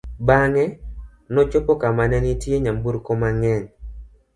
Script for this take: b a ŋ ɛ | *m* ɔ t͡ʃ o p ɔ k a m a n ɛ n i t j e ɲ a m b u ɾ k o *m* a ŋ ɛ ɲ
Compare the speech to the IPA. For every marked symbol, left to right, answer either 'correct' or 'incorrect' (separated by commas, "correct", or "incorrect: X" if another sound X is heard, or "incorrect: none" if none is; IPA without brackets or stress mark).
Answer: incorrect: n, correct